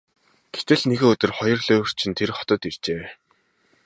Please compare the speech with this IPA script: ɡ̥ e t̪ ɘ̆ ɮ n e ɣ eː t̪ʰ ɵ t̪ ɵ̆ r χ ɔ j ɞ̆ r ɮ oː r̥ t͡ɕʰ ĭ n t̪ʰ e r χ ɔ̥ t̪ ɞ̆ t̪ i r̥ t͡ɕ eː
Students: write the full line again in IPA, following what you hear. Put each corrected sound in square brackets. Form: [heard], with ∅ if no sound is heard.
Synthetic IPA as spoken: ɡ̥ e t̪ ɘ̆ ɮ n e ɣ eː [∅] ɵ t̪ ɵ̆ r χ ɔ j ɞ̆ r ɮ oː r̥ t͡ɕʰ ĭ n t̪ʰ e r χ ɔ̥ t̪ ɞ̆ t̪ i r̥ t͡ɕ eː